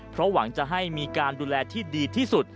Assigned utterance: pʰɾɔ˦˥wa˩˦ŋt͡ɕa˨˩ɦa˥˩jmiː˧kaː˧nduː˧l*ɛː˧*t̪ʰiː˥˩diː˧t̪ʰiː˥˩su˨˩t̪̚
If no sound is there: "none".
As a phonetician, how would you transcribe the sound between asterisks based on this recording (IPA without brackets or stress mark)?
ɛː˧